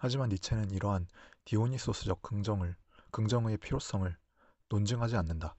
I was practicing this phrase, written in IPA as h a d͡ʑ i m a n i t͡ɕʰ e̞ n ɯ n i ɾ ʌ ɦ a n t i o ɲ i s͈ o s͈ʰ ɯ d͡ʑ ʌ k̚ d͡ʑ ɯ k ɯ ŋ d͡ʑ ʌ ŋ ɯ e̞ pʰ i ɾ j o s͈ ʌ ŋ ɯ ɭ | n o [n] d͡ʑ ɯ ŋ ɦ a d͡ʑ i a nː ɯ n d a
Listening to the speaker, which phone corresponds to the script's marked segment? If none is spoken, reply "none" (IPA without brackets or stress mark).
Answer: n